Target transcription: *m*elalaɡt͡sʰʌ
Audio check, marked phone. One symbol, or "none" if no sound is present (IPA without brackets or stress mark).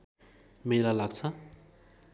m